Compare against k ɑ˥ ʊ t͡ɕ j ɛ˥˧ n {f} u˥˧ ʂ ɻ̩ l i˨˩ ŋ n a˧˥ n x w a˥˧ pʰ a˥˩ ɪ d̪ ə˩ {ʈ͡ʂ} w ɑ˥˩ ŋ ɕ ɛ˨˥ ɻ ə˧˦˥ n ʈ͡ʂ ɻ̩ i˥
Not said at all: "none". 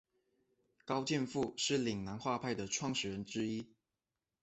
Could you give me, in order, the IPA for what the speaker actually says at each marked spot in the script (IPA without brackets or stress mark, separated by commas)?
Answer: f, ʈ͡ʂʰ